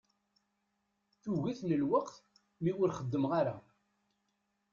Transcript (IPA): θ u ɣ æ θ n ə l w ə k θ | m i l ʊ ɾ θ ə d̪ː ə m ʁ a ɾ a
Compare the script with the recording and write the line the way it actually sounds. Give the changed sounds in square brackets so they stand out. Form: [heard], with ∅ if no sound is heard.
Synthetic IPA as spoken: θ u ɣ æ θ n ə l w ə [q] θ | m i [∅] ʊ ɾ [χ] ə d̪ː ə m ʁ a ɾ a